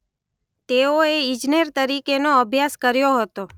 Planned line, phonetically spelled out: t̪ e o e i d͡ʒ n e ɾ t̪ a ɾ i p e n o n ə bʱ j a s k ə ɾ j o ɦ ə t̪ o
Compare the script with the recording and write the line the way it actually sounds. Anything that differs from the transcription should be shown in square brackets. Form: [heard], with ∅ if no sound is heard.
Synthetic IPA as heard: t̪ e o e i d͡ʒ n e ɾ t̪ [ə] ɾ i [k] e n o [∅] ə bʱ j a s k ə ɾ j o ɦ ə t̪ o